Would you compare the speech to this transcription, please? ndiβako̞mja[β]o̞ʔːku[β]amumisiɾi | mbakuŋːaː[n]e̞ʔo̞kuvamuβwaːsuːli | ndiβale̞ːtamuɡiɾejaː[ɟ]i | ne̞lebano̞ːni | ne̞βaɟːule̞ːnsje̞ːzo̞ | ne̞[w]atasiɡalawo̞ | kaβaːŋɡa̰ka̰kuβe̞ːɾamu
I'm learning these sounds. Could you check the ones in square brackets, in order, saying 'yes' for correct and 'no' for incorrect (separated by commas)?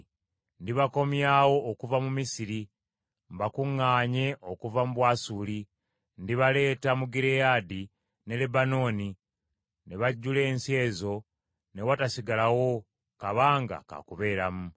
no, no, no, no, yes